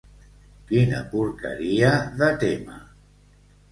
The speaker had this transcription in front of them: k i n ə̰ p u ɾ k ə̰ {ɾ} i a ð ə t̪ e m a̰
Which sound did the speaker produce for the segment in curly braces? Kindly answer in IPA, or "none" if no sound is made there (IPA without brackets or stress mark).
ɾ